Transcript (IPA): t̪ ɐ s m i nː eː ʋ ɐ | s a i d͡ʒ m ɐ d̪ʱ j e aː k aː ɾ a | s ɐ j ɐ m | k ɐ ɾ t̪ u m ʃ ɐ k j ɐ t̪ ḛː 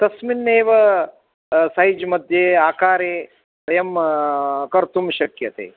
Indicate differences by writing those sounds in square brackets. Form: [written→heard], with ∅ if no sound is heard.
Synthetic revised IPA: t̪ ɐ s m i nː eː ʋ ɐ | s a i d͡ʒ m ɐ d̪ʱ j e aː k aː ɾ [a→e] | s ɐ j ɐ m | k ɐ ɾ t̪ u m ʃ ɐ k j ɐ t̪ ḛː

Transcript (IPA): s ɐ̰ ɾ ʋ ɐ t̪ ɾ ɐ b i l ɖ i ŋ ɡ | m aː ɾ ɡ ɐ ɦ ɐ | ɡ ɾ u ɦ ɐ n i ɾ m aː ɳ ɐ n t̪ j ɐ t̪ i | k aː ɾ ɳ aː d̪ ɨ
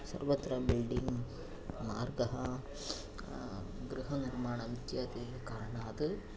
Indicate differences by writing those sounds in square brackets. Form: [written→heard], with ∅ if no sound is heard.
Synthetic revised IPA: s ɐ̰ ɾ ʋ ɐ t̪ ɾ ɐ b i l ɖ i ŋ ɡ | m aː ɾ ɡ ɐ ɦ ɐ | ɡ ɾ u ɦ ɐ n i ɾ m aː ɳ ɐ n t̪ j ɐ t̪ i | k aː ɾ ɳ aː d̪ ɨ

